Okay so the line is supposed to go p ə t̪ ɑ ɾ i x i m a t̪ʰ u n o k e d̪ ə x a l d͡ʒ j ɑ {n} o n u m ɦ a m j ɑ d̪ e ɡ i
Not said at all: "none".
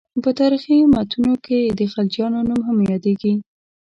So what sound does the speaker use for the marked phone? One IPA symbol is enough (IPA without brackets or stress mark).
n